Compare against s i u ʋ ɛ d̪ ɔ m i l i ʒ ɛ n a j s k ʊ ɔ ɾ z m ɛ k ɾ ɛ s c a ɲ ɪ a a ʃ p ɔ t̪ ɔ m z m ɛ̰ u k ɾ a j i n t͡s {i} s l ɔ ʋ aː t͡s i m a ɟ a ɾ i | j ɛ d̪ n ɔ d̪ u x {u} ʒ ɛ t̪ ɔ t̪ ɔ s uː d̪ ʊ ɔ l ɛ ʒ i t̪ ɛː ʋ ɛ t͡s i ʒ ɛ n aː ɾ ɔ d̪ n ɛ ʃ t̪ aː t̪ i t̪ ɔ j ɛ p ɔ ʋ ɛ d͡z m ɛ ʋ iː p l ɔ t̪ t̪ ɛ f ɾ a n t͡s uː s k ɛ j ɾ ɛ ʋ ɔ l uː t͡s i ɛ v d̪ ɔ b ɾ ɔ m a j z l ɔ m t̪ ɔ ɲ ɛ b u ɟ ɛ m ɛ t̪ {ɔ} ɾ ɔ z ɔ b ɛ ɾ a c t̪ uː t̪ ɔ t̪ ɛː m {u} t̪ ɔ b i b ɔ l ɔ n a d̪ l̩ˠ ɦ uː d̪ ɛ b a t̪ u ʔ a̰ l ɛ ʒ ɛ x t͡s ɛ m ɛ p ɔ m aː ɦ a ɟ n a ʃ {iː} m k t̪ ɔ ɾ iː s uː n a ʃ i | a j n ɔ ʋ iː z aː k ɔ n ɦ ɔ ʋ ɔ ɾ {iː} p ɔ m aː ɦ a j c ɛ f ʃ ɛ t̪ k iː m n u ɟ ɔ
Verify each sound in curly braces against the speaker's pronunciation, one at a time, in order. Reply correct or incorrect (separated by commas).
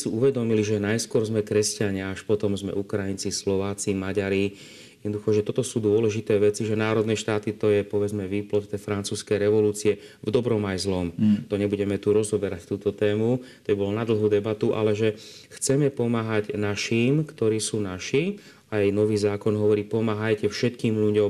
correct, incorrect, incorrect, correct, correct, correct